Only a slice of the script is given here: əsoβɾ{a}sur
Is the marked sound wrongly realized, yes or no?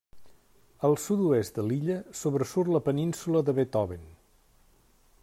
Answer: yes